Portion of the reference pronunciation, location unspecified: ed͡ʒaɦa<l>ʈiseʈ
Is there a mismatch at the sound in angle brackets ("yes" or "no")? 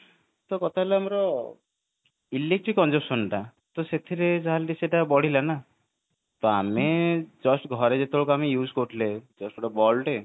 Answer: no